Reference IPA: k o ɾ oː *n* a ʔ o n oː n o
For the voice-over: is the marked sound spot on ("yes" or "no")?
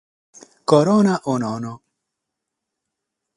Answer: yes